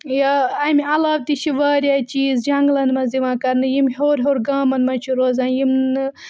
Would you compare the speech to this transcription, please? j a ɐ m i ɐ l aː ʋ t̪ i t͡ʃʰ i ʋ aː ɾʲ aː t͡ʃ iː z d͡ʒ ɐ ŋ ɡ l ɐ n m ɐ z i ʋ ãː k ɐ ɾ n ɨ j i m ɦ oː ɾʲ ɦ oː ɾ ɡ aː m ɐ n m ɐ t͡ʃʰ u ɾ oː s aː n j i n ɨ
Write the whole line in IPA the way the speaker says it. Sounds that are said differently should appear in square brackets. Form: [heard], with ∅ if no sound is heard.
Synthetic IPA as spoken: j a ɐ m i ɐ l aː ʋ t̪ i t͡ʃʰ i ʋ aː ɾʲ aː t͡ʃ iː z d͡ʒ ɐ ŋ ɡ l ɐ n m ɐ z i ʋ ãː k ɐ ɾ n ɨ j i m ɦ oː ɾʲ ɦ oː ɾ ɡ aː m ɐ n m ɐ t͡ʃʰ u ɾ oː [z] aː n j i [m] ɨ